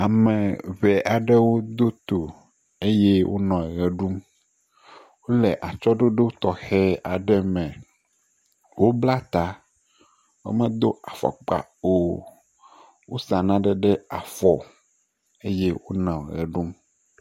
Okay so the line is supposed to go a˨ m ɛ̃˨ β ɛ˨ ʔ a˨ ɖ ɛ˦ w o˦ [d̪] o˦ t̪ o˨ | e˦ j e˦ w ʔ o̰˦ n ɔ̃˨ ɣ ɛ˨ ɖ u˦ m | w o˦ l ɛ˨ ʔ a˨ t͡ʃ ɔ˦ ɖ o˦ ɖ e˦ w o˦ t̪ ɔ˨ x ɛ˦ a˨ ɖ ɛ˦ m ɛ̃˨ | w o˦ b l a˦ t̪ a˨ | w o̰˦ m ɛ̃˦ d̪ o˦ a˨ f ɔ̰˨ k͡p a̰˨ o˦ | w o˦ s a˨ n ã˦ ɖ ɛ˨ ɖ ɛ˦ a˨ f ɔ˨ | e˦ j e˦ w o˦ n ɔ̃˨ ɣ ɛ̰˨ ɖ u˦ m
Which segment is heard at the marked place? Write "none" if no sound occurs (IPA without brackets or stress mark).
d̪